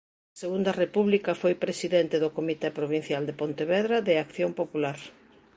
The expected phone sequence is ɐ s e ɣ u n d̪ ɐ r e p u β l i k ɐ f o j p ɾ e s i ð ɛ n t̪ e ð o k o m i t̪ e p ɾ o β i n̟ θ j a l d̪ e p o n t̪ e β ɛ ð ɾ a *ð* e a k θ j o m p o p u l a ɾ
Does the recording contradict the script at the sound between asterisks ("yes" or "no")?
no